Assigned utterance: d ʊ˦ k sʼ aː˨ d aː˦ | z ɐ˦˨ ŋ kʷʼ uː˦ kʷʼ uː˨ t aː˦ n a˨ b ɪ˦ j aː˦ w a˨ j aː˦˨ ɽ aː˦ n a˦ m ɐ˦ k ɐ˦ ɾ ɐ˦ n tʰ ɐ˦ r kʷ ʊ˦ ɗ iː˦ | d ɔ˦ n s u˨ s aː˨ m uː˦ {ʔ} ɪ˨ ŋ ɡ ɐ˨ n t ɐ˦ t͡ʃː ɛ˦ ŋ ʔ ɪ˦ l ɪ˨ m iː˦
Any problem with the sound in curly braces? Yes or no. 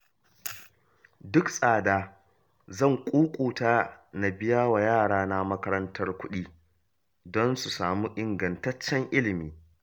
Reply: no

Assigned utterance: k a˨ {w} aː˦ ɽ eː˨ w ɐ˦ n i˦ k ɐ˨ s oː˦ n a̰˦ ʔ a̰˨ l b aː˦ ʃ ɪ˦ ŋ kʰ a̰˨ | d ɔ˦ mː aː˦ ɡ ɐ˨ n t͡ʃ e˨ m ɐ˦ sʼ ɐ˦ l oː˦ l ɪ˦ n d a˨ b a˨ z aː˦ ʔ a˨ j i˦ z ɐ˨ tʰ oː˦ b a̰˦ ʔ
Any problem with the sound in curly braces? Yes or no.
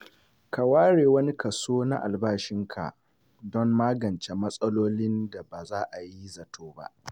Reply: no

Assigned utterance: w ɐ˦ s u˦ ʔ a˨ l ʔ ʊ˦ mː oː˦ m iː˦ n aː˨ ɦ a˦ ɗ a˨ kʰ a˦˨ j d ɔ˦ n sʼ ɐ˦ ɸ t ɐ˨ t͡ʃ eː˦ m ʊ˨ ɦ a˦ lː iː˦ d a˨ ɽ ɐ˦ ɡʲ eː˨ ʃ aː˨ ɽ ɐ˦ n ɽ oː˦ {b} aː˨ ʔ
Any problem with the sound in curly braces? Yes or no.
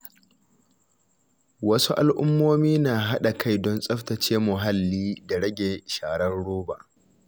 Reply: no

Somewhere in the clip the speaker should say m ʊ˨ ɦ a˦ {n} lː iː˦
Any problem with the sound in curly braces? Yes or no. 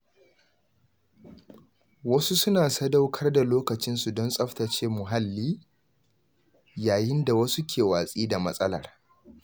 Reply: yes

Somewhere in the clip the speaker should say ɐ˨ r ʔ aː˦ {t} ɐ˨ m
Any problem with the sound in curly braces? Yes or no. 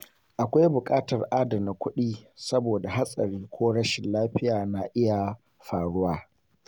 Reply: yes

